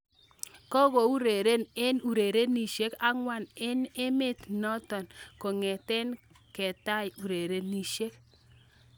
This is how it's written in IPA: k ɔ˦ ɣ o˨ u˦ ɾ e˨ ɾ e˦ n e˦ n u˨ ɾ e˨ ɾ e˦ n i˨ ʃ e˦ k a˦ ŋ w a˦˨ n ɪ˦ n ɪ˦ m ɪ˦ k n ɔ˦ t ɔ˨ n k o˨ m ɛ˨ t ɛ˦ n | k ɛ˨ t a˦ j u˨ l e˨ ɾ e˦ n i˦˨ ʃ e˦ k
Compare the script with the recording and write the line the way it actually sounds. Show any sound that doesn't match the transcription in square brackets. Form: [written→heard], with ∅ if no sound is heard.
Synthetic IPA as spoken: k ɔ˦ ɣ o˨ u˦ ɾ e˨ ɾ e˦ n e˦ n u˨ ɾ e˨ ɾ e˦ n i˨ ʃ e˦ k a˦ ŋ w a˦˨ n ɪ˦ n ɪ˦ m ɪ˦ [k→t] n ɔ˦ t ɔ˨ n k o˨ [m→ŋ] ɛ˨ t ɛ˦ n | k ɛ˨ t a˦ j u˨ [l→ɾ] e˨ ɾ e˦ n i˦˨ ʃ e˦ k